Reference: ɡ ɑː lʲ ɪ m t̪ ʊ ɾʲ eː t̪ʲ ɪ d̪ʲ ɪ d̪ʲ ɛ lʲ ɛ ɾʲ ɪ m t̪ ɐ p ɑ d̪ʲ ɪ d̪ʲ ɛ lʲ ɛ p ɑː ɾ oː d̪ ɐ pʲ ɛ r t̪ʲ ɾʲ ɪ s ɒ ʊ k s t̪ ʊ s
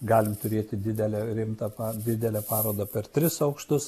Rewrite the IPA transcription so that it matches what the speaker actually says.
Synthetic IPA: ɡ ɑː lʲ ɪ m t̪ ʊ ɾʲ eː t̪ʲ ɪ d̪ʲ ɪ d̪ʲ ɛ lʲ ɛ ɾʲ ɪ m t̪ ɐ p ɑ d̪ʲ ɪ d̪ʲ ɛ lʲ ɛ p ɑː ɾ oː d̪ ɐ pʲ ɛ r t̪ʲ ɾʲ ɪ s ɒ ʊ k ʃ t̪ ʊ s